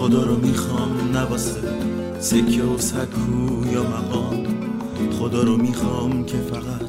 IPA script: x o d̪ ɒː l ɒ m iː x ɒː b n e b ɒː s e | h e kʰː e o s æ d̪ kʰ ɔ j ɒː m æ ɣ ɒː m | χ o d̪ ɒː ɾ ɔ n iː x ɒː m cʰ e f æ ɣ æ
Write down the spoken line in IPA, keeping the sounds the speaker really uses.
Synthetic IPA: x o d̪ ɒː ɾ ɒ m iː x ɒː m n æ b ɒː s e | s e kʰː e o s æ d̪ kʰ u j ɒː m æ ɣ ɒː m | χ o d̪ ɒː ɾ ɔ m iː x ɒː m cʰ e f æ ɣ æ